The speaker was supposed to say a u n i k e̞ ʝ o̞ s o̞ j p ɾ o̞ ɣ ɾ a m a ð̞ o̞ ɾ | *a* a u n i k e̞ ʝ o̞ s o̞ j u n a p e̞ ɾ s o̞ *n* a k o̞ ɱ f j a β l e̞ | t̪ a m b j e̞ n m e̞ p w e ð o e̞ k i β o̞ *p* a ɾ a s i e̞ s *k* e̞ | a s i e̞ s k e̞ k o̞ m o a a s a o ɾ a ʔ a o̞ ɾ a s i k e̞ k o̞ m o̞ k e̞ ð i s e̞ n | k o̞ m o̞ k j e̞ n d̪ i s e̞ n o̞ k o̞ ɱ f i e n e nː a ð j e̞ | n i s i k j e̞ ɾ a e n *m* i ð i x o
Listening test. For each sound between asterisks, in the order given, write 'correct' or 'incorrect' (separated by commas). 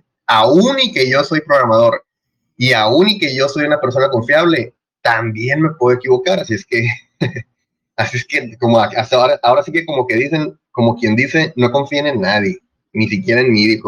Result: incorrect, correct, incorrect, correct, correct